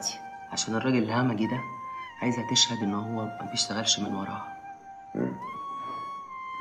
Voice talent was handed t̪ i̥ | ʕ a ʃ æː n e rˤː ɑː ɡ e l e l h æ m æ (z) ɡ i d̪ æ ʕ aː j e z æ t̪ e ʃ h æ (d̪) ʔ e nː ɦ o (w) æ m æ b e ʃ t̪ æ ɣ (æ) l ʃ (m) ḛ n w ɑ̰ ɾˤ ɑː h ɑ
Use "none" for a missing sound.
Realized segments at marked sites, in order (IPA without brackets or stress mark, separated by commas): none, d̪, wː, æ, m